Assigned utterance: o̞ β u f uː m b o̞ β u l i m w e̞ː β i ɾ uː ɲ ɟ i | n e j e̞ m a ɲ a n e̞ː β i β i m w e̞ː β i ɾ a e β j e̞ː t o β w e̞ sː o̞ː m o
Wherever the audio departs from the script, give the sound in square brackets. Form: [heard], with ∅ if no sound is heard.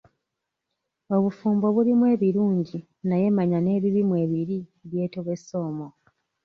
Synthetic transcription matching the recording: o̞ β u f uː m b o̞ β u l i m w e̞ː β i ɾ uː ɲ ɟ i | n [a] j e̞ m a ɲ a n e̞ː β i β i m w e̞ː β i ɾ [i] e β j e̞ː t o β w e̞ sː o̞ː m o